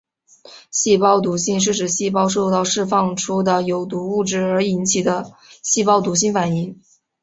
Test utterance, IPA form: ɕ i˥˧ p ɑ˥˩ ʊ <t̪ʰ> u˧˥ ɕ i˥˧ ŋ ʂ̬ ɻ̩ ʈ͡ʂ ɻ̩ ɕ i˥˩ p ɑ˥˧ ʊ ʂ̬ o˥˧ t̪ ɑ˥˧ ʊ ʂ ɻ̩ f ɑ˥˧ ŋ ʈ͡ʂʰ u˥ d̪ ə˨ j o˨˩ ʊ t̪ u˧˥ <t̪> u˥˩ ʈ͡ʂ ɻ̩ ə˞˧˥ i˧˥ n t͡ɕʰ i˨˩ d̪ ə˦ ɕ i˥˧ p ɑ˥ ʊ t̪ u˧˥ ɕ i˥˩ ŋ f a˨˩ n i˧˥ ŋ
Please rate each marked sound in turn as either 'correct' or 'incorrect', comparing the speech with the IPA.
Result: incorrect: t̪, incorrect: none

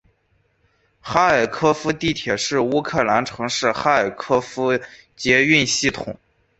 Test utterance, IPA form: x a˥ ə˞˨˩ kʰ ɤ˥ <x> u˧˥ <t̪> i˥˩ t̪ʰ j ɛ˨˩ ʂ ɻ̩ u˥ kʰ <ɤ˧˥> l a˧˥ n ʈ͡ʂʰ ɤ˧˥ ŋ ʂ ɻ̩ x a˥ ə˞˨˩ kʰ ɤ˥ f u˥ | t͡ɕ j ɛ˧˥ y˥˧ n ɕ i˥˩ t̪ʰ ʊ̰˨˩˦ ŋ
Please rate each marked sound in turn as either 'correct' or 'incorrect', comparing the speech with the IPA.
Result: incorrect: f, correct, incorrect: ɤ˥˩

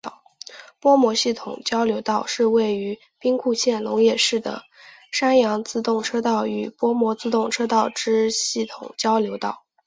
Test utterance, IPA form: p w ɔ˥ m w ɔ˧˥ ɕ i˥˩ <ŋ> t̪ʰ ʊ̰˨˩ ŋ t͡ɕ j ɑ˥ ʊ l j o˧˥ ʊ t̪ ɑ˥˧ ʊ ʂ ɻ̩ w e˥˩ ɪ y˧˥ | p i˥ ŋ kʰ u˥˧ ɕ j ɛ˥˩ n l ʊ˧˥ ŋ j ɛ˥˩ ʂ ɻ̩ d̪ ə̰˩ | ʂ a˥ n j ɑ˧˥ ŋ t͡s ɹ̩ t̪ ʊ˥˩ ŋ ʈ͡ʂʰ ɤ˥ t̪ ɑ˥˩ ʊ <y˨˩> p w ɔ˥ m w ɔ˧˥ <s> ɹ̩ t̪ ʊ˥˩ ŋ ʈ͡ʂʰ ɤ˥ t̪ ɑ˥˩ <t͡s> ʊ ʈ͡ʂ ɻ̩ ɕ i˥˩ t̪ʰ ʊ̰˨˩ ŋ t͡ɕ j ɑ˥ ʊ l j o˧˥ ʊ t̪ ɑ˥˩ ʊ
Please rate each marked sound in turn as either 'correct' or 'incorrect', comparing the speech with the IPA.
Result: incorrect: none, correct, incorrect: t͡s, incorrect: none

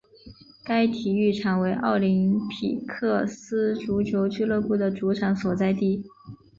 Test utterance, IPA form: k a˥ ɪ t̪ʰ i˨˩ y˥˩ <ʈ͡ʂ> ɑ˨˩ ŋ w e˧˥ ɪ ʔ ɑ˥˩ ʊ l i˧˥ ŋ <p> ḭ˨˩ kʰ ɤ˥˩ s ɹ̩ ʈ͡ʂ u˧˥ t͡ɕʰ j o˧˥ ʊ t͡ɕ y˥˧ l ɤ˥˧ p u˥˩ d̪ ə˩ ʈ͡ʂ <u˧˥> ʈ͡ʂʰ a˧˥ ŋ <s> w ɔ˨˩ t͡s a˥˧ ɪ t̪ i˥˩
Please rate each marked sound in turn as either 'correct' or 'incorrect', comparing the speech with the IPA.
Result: incorrect: ʈ͡ʂʰ, incorrect: pʰ, correct, correct

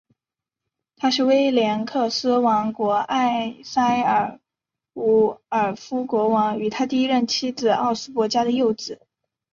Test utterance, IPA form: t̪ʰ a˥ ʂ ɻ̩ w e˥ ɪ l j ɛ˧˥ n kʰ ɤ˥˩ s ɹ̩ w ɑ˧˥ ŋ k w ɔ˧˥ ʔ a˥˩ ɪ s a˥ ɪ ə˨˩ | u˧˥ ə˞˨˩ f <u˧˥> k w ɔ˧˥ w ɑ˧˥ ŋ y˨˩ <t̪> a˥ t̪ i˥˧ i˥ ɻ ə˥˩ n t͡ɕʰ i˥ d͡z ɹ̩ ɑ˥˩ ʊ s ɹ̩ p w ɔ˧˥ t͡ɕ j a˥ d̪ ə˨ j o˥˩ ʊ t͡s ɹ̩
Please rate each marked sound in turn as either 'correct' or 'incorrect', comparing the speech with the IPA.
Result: incorrect: u˥, incorrect: t̪ʰ

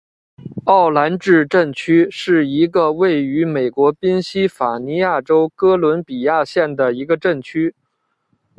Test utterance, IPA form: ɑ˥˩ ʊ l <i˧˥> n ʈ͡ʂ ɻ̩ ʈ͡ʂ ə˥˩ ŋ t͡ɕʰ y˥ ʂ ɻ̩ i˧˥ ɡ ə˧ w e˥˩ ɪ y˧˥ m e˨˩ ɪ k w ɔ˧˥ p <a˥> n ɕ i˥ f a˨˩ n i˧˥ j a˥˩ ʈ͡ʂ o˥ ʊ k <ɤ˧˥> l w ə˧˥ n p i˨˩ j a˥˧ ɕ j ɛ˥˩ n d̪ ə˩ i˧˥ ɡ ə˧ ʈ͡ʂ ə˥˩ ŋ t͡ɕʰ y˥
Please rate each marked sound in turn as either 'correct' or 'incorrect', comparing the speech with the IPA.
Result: incorrect: a˧˥, incorrect: i˥, incorrect: ɤ˥

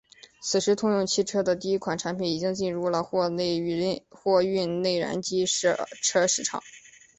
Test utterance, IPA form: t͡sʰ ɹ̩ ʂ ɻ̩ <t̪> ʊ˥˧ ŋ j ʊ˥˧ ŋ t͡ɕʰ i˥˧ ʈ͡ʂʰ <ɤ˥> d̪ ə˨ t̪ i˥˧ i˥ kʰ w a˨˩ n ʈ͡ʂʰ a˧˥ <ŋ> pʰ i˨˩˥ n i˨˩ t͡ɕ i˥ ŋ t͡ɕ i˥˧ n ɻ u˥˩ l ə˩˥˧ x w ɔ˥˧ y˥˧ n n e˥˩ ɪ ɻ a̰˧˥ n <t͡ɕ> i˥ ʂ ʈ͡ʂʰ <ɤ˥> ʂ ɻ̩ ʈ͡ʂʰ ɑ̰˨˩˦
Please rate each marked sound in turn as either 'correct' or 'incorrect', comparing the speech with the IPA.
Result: incorrect: t̪ʰ, correct, incorrect: n, correct, correct

